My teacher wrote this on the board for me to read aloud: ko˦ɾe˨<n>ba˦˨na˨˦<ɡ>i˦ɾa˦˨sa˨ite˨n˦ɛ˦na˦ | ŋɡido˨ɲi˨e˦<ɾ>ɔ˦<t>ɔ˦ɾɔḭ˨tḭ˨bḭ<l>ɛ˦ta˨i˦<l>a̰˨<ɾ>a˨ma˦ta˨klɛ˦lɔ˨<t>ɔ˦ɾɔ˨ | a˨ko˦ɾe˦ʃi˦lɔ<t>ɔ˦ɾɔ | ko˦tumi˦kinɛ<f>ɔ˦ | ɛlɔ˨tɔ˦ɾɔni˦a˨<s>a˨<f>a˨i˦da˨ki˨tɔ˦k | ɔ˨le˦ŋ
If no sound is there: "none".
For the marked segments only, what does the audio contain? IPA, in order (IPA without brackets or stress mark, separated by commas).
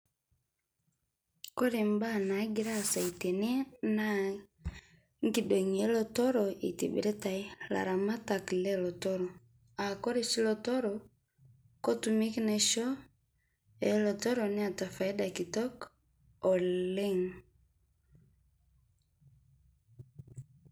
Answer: m, ɡ, l, t, ɾ, l, ɾ, t, t, ʃ, t, f